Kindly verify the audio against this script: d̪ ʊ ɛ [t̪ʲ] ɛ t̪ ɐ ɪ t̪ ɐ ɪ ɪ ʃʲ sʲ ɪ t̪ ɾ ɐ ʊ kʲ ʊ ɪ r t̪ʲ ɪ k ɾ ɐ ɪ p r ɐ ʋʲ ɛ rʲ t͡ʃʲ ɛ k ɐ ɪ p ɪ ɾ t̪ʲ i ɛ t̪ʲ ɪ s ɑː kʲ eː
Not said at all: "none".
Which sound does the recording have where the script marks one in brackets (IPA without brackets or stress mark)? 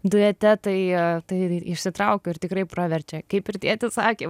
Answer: t̪ʲ